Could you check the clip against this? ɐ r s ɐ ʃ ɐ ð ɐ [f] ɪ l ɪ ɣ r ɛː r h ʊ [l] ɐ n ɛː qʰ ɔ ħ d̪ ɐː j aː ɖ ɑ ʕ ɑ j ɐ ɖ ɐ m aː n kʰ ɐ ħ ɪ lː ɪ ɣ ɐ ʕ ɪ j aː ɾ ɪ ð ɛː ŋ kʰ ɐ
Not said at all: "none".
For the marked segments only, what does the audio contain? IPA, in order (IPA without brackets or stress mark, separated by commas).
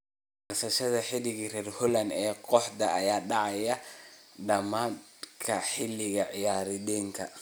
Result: ħ, l